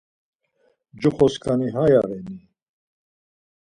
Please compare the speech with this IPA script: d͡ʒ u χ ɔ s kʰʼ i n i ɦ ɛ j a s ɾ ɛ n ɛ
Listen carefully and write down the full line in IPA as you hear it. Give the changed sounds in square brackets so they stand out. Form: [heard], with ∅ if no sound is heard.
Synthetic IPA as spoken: d͡ʒ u χ ɔ s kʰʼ [a] n i ɦ [a] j a [∅] ɾ ɛ n [i]